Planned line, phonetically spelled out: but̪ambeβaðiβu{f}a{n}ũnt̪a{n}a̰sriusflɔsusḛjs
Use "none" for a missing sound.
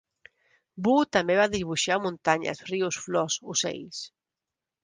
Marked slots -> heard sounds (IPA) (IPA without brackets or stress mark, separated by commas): ʃ, m, ɲ